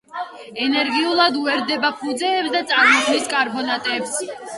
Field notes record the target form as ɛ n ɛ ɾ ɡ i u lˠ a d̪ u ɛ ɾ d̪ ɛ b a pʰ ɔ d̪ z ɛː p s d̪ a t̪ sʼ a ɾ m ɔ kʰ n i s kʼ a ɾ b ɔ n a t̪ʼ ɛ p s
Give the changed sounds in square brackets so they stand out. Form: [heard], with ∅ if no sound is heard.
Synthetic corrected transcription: ɛ n ɛ ɾ ɡ i u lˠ a d̪ u ɛ ɾ d̪ ɛ b a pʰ [u] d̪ z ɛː p s d̪ a t̪ sʼ a ɾ m ɔ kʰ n i s kʼ a ɾ b ɔ n a t̪ʼ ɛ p s